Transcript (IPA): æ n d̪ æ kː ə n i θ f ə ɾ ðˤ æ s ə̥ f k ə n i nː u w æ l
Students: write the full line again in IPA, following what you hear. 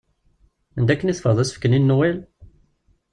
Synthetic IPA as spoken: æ n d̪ æ kː ə n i θ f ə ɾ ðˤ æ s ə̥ f k ə n i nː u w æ l